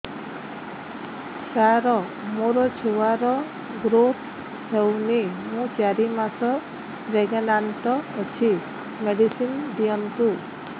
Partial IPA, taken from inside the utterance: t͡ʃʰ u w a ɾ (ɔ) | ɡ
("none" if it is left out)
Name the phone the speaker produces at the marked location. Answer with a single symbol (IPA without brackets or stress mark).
ɔ